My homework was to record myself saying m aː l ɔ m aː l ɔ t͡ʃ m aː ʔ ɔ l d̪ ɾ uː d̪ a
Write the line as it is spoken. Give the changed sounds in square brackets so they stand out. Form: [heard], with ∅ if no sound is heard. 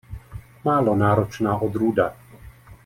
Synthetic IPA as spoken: m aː l ɔ [n] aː [ɾ] ɔ t͡ʃ [n] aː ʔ ɔ [∅] d̪ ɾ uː d̪ a